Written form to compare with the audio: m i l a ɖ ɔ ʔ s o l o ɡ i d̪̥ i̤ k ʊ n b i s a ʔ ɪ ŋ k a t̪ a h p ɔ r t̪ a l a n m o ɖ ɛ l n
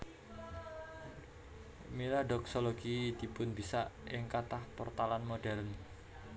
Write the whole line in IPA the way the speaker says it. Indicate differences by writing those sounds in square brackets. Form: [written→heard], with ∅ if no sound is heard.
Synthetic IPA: m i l a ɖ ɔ [ʔ→k] s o l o ɡ i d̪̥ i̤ [k→p] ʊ n b i s a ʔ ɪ ŋ k a t̪ a h p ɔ r t̪ a l a n m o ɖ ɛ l n